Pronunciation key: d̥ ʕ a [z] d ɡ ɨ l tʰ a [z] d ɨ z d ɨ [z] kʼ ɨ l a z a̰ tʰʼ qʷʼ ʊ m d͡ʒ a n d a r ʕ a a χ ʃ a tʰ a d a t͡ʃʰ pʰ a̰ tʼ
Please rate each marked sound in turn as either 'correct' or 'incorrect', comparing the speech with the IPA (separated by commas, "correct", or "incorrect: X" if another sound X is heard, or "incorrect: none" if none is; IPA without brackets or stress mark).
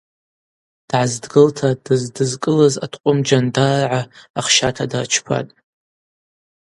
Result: correct, incorrect: none, correct